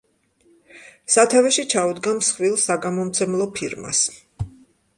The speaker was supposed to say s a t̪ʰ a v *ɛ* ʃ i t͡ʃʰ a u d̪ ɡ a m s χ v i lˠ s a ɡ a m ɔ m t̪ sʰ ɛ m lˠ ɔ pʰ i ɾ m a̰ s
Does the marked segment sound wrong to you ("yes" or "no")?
no